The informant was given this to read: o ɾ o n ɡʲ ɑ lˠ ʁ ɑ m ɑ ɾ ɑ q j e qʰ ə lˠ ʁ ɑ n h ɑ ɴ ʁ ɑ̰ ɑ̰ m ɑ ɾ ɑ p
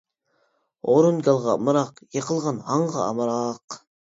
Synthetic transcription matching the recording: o ɾ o n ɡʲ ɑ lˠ ʁ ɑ m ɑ ɾ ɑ q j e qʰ ə lˠ ʁ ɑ n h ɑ ɴ ʁ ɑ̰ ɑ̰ m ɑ ɾ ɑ q